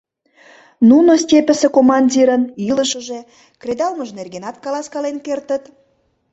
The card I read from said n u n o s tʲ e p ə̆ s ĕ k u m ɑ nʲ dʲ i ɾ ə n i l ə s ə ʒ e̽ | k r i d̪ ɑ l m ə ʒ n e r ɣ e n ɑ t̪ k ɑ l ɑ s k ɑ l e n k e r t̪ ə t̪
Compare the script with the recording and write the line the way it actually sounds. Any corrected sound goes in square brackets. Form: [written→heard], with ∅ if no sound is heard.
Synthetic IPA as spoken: n u n o s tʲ e p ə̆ s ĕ k [u→o] m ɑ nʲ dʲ i ɾ ə n i l ə [s→ʃ] ə ʒ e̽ | k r [i→e] d̪ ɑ l m ə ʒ n e r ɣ e n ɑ t̪ k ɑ l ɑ s k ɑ l e n k e r t̪ ə t̪